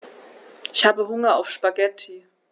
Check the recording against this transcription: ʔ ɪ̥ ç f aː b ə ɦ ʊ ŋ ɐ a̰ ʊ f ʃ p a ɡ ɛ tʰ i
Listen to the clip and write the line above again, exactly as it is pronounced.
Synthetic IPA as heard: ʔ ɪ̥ ç h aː b ə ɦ ʊ ŋ ɐ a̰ ʊ f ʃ p a ɡ ɛ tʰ i